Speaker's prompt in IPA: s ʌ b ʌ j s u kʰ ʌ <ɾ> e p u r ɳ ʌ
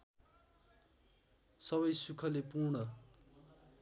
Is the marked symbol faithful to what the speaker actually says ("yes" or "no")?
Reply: no